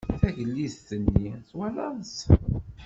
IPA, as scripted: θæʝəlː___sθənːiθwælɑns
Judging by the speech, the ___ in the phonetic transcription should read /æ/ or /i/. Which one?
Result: i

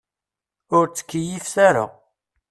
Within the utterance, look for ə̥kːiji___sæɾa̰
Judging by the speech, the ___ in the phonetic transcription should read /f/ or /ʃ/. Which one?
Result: f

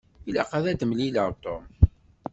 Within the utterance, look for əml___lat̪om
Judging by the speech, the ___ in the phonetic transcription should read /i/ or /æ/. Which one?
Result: i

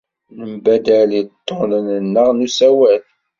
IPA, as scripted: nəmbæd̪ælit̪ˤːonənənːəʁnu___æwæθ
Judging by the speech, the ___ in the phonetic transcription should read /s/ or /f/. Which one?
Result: s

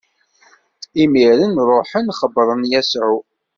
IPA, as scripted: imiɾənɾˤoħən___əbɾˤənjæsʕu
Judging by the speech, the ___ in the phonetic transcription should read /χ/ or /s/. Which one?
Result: χ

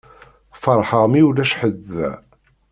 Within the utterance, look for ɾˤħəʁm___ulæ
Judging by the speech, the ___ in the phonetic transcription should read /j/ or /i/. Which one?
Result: i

